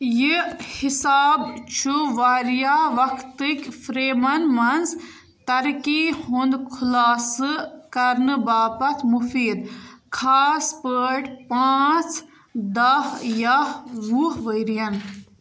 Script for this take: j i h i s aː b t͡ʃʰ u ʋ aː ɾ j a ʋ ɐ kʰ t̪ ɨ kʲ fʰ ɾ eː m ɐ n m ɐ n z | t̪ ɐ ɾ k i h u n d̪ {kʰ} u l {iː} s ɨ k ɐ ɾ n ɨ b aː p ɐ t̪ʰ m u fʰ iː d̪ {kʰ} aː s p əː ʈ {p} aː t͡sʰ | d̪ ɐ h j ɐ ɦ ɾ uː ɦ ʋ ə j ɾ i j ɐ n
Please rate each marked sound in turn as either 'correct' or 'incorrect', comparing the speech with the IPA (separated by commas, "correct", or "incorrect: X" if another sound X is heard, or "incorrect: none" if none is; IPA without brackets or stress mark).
correct, incorrect: aː, correct, correct